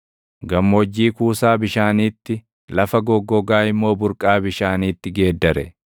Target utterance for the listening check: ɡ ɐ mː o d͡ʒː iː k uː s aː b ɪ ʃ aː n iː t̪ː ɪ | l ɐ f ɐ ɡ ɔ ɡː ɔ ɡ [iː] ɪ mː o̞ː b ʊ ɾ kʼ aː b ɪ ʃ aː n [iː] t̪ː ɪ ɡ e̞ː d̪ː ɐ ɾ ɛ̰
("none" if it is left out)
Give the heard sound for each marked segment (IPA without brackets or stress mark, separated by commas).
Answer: aː, iː